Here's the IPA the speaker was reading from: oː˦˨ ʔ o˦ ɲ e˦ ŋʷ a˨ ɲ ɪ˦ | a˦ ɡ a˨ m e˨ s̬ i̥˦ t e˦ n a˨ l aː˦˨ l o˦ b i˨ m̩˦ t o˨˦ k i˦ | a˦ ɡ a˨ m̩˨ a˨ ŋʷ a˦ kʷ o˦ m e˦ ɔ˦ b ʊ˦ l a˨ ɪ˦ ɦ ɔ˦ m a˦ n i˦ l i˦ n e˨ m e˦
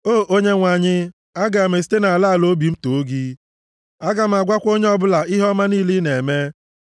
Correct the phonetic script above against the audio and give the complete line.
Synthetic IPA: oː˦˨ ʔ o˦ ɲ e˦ ŋʷ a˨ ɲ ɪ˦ | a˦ ɡ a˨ m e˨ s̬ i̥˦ t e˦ n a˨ l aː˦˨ l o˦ b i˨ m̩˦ t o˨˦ ɡ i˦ | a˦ ɡ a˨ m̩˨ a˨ ɡʷ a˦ kʷ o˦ ɲ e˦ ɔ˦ b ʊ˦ l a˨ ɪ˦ ɦ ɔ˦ m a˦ n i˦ l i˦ n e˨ m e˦

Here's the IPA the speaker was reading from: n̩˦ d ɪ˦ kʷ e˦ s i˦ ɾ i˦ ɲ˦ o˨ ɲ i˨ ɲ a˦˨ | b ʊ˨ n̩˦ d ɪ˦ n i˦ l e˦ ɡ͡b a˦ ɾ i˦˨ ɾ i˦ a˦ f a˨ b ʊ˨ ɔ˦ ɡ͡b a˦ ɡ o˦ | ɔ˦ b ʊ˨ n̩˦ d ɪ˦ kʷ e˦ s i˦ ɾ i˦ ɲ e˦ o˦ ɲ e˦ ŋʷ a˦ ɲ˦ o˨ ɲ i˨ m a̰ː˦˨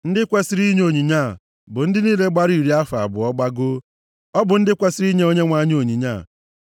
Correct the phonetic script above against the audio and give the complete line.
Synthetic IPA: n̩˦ d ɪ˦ kʷ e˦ s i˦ ɾ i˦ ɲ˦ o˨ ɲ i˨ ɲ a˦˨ | b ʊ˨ n̩˦ d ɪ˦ n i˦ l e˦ ɡ͡b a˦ ɾ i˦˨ ɾ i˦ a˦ f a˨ b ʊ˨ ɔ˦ ɡ͡b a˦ ɡ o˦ | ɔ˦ b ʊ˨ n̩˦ d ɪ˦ kʷ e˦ s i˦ ɾ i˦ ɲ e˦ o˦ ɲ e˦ ŋʷ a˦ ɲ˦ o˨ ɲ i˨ ɲ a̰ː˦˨

